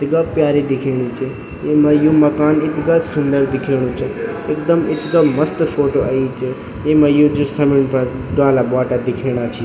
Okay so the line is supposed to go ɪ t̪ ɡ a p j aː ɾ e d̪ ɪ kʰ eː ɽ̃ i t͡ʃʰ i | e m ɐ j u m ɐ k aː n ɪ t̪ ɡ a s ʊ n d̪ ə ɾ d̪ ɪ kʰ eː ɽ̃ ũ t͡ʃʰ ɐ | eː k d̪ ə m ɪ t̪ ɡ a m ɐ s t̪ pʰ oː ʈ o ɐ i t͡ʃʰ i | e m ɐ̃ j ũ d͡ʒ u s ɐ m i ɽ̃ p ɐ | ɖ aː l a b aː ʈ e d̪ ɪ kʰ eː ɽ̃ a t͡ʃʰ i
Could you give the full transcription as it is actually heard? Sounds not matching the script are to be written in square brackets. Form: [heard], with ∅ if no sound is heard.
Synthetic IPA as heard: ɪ t̪ ɡ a p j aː ɾ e d̪ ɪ kʰ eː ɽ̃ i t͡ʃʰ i | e m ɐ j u m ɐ k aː n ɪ t̪ ɡ a s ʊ n d̪ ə ɾ d̪ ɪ kʰ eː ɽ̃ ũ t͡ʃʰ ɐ | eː k d̪ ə m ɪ t̪ ɡ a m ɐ s t̪ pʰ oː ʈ o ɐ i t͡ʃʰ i | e m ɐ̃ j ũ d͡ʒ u s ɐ m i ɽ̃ p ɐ | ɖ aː l a b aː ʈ [a] d̪ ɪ kʰ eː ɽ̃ a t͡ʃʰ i